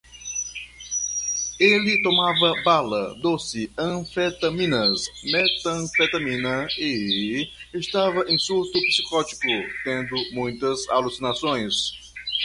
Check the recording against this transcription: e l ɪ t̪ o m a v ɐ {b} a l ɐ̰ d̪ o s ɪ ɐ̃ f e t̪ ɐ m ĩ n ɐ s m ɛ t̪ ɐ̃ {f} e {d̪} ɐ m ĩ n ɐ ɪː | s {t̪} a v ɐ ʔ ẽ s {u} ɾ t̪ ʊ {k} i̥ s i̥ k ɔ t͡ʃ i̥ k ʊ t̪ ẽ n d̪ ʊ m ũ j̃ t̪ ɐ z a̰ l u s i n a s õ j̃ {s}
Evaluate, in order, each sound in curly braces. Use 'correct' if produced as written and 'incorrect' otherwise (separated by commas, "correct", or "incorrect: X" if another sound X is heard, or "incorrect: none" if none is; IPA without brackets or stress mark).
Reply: correct, correct, incorrect: t̪, correct, correct, incorrect: p, correct